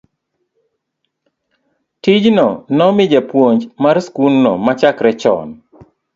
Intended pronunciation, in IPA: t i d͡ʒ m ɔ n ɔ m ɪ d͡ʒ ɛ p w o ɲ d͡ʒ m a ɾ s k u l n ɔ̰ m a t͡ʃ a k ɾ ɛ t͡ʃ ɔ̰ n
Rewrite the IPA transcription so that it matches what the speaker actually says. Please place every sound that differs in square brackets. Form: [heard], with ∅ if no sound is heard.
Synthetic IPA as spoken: t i d͡ʒ [n] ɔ n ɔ m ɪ d͡ʒ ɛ p w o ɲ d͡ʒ m a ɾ s k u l n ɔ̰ m a t͡ʃ a k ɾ ɛ t͡ʃ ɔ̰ n